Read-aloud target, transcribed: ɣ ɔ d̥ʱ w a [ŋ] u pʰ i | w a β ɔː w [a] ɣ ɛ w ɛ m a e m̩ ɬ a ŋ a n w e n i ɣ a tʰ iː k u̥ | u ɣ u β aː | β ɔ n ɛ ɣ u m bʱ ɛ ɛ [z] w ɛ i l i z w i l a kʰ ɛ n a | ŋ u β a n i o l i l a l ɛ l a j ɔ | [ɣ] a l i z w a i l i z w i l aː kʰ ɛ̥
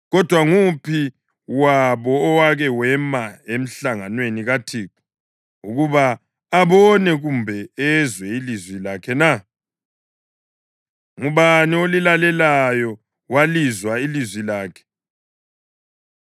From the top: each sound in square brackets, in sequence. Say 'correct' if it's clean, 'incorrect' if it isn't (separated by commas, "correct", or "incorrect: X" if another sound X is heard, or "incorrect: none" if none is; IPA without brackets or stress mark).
correct, correct, correct, incorrect: w